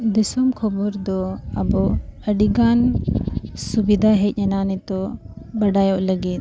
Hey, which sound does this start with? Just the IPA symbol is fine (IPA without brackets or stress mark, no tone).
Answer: d̪